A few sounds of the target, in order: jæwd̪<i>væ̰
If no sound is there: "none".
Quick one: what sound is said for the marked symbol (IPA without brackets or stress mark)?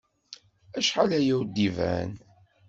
i